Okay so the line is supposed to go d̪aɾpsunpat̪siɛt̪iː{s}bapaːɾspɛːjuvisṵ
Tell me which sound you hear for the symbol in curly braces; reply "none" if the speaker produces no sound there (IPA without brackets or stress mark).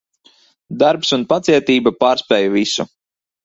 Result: none